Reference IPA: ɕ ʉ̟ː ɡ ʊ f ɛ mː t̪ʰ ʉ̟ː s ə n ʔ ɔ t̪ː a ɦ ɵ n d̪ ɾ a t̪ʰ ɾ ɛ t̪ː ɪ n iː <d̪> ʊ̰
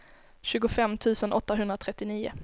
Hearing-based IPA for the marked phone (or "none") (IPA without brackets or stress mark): none